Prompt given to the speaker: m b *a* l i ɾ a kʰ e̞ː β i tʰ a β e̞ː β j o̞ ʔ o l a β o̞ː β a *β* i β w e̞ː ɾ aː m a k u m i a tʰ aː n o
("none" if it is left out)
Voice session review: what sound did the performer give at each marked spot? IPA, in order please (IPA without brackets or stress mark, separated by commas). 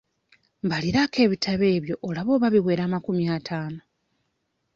a, β